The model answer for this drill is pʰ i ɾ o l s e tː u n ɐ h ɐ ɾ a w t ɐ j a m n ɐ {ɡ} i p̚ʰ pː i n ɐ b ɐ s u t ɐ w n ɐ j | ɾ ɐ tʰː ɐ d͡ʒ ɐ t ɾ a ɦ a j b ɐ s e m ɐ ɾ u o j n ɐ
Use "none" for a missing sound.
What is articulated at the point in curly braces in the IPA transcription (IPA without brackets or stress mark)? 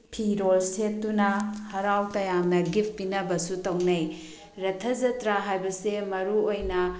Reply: ɡ